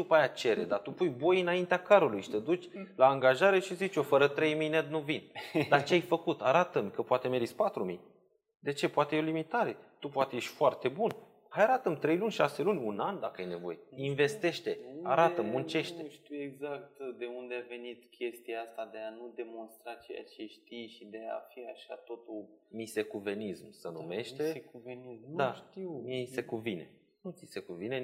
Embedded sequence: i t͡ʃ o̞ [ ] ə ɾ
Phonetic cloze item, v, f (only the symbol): f